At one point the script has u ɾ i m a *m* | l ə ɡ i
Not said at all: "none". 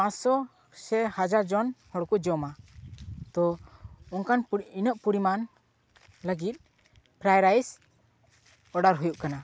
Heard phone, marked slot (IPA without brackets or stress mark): n